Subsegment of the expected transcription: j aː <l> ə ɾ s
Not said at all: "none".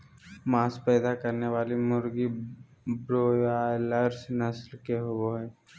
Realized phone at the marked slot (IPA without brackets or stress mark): l